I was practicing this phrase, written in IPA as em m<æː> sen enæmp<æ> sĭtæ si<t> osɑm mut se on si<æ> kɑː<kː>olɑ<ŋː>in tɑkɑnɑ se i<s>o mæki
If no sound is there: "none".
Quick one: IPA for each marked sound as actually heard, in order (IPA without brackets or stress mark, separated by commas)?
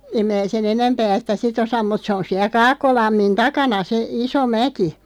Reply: æː, æː, t, æ, kː, mː, s